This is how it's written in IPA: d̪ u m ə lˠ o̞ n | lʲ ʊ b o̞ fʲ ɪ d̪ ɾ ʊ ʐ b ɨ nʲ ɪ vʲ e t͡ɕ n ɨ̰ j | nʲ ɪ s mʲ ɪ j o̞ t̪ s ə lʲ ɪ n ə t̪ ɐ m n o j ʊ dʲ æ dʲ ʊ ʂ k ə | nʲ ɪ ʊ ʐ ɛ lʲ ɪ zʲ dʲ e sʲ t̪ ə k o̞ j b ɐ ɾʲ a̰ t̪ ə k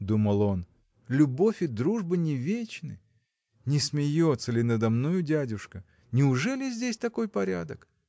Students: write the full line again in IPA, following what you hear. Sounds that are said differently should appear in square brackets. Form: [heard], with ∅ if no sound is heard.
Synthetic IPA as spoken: d̪ u m ə lˠ o̞ n | lʲ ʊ b o̞ fʲ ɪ d̪ ɾ [u] ʐ b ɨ nʲ ɪ vʲ e t͡ɕ n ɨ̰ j | nʲ ɪ s mʲ ɪ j o̞ t̪ s ə lʲ ɪ n ə [d̪] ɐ m n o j ʊ dʲ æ dʲ ʊ ʂ k ə | nʲ ɪ ʊ ʐ ɛ lʲ ɪ zʲ dʲ e sʲ t̪ [ɐ] k o̞ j [p] ɐ ɾʲ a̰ [d̪] ə k